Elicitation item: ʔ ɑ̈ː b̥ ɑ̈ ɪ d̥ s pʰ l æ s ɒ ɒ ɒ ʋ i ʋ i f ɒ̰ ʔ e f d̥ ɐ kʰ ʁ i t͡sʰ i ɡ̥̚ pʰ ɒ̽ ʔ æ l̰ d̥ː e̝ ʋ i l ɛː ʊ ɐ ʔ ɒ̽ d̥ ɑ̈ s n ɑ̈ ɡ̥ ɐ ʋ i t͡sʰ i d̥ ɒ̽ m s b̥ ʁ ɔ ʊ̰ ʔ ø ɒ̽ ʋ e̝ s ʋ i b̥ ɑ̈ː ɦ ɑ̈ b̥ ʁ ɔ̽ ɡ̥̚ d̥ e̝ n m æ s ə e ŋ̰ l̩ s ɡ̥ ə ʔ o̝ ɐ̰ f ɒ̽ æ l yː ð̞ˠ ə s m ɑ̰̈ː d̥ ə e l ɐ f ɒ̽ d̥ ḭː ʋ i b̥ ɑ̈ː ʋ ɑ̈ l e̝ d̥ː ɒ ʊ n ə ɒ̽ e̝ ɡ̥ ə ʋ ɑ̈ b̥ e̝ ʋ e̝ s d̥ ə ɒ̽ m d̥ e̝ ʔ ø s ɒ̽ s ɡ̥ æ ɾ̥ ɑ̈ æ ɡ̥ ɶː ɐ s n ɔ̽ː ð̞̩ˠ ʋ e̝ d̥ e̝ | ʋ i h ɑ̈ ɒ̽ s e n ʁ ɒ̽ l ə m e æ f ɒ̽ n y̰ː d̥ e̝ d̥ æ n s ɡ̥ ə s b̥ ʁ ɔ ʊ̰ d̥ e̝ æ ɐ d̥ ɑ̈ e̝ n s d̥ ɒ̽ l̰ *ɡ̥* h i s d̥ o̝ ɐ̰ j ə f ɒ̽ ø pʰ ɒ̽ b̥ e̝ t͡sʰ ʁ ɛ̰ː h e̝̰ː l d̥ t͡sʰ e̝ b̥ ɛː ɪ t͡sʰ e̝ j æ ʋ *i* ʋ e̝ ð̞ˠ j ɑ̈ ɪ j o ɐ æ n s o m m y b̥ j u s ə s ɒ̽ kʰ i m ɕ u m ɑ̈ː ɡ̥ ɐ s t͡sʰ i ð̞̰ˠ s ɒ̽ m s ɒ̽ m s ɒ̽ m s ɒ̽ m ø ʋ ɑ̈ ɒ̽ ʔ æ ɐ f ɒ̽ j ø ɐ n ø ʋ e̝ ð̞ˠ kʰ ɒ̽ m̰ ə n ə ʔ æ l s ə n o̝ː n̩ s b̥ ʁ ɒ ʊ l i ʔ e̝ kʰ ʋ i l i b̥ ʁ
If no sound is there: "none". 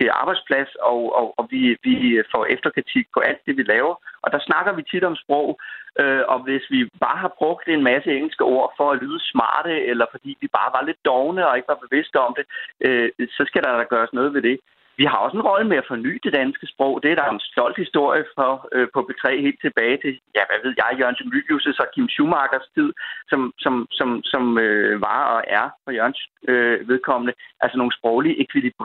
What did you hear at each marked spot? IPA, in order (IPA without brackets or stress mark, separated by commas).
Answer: d̥, æ